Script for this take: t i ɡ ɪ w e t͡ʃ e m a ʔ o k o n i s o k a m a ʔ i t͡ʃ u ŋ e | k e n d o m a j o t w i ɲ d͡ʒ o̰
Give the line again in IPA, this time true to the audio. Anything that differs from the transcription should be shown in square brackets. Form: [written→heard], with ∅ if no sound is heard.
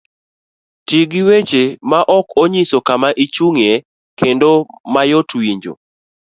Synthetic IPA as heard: t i ɡ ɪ w e t͡ʃ e m a ʔ [o→ɔ] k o [n→ɲ] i s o k a m a ʔ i t͡ʃ u ŋ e | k e n d o m a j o t w i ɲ d͡ʒ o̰